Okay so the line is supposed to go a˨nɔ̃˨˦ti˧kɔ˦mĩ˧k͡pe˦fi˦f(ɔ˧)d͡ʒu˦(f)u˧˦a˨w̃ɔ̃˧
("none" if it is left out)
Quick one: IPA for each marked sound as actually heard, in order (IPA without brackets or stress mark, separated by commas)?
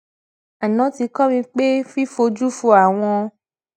o˧, f